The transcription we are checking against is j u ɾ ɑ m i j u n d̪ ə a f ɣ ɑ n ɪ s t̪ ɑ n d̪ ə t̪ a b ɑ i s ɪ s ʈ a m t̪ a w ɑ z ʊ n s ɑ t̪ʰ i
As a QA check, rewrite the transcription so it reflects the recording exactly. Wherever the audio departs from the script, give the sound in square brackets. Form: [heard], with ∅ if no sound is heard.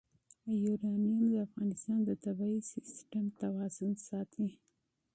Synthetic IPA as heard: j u ɾ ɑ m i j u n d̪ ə a f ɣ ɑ n ɪ s t̪ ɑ n d̪ ə t̪ a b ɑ i s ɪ s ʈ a m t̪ a w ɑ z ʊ n s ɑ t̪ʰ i